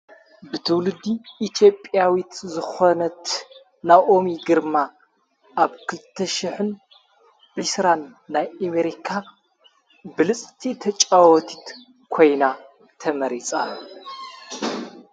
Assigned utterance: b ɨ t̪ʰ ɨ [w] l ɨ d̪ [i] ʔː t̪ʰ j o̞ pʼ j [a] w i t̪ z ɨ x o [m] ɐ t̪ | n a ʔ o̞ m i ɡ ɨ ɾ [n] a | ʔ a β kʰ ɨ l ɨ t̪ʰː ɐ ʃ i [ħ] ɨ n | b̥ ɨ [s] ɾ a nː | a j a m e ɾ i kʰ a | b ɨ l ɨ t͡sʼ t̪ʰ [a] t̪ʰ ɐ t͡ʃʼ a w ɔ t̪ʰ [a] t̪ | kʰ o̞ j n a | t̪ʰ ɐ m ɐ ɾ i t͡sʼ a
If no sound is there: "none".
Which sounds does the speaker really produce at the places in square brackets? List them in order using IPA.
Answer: w, i, a, n, m, ħ, s, i, i

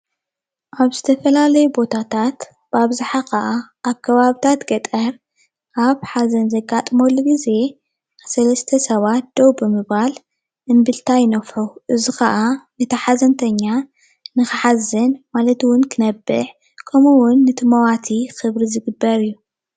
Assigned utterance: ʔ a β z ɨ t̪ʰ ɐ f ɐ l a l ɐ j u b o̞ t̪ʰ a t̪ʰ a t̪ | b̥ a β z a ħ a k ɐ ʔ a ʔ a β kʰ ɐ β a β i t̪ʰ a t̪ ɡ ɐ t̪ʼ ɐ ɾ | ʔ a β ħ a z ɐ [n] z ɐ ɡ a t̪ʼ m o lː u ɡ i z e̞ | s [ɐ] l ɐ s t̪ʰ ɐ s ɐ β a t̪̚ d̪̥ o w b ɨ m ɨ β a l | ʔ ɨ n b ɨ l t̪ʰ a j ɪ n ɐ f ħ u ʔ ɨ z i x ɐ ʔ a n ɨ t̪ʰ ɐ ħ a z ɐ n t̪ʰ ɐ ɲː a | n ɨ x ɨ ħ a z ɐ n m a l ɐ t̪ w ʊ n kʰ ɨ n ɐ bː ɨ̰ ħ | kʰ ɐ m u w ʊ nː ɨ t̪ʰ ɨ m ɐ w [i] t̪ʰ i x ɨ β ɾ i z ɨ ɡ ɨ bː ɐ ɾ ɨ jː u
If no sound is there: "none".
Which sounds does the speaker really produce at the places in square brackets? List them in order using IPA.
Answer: n, ɐ, a

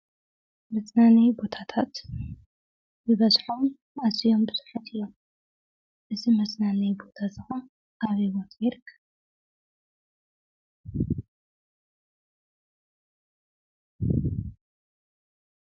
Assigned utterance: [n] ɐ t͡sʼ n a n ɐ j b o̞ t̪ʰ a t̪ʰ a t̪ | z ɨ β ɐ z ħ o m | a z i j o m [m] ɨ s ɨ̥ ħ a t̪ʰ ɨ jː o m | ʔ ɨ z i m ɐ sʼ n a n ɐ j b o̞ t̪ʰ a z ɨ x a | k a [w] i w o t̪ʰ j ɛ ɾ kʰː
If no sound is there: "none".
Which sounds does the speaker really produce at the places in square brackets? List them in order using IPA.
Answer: m, b, β

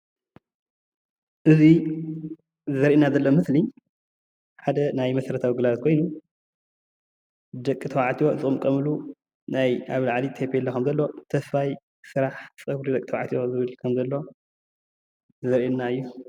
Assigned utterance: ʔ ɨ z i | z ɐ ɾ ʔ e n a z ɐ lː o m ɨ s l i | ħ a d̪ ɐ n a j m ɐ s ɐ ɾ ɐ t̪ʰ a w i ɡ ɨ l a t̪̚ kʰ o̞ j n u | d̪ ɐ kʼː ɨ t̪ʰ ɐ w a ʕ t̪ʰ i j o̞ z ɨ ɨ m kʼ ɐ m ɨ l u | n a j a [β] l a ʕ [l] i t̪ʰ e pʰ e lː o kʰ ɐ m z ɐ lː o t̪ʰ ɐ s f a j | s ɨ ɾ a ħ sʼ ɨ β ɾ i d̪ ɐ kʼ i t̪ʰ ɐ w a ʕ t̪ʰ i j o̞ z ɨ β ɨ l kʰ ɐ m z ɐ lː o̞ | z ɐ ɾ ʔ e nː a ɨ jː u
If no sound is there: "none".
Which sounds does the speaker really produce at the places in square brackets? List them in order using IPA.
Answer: β, l

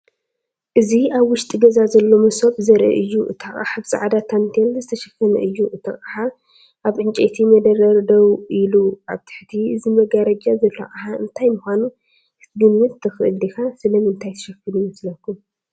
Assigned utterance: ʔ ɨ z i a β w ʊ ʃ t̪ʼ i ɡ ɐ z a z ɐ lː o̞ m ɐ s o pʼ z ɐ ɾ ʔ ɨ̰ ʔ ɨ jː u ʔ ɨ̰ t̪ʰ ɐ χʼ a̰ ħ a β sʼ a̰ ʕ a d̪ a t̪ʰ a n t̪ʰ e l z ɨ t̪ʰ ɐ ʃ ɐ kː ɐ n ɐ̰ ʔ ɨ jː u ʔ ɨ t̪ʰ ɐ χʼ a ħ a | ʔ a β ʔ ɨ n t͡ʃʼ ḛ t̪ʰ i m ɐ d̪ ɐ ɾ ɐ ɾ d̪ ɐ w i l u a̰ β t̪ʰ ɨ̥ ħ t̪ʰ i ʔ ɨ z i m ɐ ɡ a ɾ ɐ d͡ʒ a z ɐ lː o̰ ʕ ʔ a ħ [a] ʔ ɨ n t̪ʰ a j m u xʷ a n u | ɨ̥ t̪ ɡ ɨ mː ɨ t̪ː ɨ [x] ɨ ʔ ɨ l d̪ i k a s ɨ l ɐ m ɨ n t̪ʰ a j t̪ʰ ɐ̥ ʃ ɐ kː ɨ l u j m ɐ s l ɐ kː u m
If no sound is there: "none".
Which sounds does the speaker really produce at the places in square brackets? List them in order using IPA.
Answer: a, x

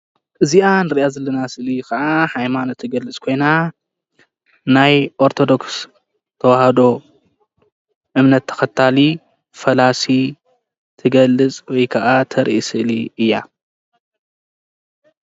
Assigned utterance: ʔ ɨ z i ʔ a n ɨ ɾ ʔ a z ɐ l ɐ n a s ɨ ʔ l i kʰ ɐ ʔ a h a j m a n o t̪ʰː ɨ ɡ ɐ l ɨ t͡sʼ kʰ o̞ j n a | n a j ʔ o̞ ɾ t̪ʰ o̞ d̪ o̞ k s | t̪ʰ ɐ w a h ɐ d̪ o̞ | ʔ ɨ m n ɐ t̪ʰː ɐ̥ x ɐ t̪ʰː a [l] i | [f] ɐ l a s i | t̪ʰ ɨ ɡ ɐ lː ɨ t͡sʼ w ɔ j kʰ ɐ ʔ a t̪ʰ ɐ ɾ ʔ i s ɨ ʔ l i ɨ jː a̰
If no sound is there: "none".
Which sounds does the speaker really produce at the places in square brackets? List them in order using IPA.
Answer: l, f

